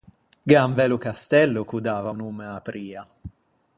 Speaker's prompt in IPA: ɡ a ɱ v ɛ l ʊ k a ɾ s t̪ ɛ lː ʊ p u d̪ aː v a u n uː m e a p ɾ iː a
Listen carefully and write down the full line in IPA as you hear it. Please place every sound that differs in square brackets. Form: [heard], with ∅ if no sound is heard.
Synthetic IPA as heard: ɡ a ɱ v ɛ l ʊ k a [∅] s t̪ ɛ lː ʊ [k] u d̪ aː v a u n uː m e a p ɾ iː a